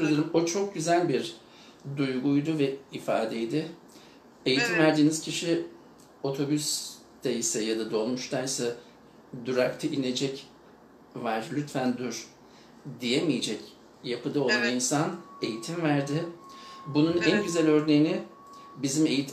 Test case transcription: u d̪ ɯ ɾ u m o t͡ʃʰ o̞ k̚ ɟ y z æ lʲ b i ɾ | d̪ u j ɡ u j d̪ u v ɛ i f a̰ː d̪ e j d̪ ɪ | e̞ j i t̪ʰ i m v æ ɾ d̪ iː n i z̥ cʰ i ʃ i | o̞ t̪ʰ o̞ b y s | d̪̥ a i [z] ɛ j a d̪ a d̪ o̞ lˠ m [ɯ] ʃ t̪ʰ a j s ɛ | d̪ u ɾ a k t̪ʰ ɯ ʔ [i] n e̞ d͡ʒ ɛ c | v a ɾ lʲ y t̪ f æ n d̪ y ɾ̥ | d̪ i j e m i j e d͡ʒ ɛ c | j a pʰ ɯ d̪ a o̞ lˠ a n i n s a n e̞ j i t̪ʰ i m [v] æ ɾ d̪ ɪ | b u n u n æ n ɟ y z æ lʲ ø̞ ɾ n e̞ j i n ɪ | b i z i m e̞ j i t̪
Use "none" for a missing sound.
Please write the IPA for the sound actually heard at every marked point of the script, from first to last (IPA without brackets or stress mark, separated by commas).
s, u, i, v